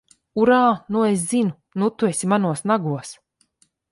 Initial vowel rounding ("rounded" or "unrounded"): rounded